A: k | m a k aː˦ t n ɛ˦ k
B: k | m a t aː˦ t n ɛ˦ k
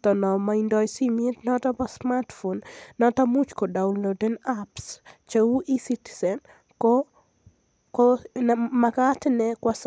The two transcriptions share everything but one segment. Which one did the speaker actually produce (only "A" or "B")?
A